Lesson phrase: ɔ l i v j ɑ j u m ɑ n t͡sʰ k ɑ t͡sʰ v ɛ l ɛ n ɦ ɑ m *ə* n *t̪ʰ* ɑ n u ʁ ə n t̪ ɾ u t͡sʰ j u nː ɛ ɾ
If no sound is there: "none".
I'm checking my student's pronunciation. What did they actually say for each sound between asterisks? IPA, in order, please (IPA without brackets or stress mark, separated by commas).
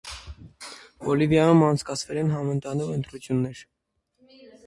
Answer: ə, t̪